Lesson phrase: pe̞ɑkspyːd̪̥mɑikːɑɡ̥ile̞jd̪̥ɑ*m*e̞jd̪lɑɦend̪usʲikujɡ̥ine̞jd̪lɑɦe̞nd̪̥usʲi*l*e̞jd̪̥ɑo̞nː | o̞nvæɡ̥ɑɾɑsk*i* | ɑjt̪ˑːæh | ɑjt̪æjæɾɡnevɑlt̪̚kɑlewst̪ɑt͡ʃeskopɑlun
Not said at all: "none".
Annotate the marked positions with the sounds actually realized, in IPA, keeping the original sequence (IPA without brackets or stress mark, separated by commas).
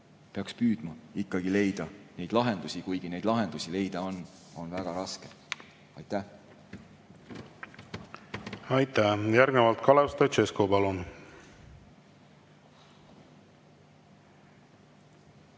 n, l, e